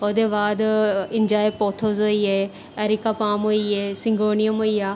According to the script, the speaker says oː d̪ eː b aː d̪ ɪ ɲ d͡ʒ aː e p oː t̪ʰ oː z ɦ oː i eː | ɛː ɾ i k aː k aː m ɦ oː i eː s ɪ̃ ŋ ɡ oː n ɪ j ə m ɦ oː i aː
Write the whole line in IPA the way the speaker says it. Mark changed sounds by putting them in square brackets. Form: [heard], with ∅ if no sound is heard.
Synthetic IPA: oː d̪ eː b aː d̪ ɪ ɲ d͡ʒ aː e p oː t̪ʰ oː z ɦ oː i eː | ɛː ɾ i k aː [p] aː m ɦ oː i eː s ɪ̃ ŋ ɡ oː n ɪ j ə m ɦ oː i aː